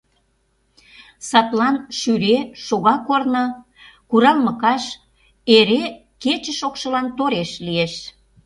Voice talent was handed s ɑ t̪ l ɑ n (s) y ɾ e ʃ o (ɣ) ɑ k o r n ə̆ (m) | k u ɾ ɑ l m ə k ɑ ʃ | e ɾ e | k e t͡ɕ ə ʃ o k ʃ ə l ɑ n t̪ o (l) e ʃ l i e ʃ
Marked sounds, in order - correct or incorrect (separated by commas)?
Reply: incorrect, correct, incorrect, incorrect